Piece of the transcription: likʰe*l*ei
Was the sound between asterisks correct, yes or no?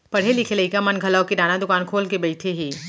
yes